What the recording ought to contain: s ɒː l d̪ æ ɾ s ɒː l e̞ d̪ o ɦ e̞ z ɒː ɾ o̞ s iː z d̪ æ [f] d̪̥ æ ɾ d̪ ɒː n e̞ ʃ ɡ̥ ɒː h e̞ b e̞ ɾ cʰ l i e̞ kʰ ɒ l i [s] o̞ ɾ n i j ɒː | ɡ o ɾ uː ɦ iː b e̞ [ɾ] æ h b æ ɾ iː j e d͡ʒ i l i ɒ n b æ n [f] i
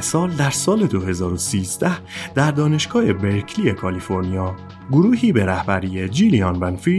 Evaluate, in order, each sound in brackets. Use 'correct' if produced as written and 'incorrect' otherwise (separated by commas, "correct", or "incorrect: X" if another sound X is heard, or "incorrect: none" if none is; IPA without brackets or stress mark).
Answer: incorrect: h, incorrect: f, correct, correct